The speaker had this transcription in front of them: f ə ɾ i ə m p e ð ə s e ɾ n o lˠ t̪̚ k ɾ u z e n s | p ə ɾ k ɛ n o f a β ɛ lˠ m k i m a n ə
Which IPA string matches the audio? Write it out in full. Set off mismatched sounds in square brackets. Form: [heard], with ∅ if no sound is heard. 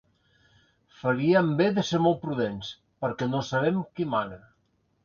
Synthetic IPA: f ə ɾ i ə m [b] e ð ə s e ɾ [m] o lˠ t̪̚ [p] ɾ u [ð] e n s | p ə ɾ k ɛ n o [s] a β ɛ [∅] m k i m a n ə